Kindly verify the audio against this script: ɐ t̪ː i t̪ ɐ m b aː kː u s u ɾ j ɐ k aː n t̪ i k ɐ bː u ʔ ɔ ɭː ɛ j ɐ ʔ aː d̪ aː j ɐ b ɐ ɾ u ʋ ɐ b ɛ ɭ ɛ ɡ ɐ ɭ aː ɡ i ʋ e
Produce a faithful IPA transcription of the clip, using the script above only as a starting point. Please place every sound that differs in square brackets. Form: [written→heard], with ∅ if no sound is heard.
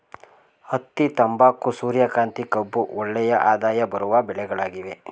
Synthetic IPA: ɐ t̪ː i t̪ ɐ m b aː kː u s [u→uː] ɾ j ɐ k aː n t̪ i k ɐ bː u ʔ ɔ ɭː ɛ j ɐ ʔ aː d̪ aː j ɐ b ɐ ɾ u ʋ ɐ b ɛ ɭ ɛ ɡ ɐ ɭ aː ɡ i ʋ e